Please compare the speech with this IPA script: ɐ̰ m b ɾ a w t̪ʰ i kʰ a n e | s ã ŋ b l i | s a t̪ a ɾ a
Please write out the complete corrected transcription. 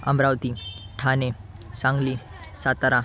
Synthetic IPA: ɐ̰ m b ɾ a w t̪ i ʈʰ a n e | s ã ŋ ɡ l i | s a t̪ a ɾ a